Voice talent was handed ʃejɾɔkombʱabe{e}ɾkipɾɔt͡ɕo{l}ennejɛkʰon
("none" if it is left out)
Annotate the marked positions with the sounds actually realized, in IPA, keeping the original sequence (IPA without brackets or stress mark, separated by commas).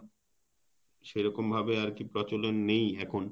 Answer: a, l